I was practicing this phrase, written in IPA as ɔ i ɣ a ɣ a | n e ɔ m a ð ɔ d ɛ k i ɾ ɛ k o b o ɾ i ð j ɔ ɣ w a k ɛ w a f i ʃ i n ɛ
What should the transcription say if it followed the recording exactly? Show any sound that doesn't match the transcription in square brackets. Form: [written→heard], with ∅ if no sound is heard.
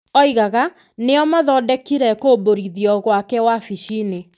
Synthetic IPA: ɔ i ɣ a ɣ a | n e ɔ m a ð ɔ d ɛ k i ɾ ɛ k o b o ɾ i ð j ɔ ɣ w a k ɛ w a f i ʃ i n [ɛ→e]